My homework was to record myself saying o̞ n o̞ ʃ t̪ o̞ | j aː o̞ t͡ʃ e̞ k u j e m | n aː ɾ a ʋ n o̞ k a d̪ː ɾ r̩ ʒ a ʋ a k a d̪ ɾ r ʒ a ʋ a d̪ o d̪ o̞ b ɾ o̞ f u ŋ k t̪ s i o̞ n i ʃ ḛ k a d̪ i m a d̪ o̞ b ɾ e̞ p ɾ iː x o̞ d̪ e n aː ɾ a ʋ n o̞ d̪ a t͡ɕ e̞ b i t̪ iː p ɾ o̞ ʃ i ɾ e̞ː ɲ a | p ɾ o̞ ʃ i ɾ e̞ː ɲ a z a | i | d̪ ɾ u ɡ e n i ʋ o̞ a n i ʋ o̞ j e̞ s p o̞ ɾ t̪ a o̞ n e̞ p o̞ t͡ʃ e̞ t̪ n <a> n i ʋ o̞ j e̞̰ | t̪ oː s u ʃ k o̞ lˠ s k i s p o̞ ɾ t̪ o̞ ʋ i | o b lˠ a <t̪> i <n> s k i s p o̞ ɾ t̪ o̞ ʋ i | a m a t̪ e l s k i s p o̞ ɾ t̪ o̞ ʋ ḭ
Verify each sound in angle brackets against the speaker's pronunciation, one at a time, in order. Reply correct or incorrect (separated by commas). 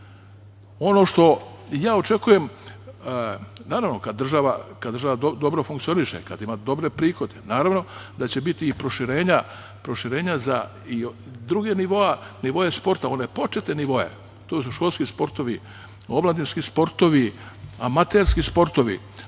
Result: incorrect, incorrect, correct